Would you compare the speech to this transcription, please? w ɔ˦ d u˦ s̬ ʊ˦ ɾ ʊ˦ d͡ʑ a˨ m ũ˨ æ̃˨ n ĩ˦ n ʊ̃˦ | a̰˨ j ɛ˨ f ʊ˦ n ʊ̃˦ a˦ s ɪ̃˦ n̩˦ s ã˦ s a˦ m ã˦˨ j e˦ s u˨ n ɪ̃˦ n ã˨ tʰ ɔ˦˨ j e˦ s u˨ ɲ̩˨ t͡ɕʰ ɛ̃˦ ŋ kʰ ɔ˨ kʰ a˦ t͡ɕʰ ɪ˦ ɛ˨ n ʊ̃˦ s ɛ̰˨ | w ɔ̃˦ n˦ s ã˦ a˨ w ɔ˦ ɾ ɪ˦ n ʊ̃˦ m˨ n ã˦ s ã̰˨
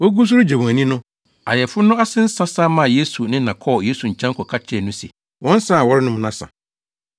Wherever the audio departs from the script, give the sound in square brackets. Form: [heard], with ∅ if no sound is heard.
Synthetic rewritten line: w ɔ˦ [ɡ] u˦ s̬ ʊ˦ ɾ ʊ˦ d͡ʑ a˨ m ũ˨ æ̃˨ n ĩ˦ n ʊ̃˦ | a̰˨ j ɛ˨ f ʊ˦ n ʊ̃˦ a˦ s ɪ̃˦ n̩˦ s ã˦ s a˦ m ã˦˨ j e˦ s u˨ n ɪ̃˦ n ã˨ [kʰ] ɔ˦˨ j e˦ s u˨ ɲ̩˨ t͡ɕʰ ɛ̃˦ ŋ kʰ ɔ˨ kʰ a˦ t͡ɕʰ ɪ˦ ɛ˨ n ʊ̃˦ s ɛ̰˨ | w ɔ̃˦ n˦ s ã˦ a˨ w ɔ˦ ɾ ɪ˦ n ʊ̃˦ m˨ n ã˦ s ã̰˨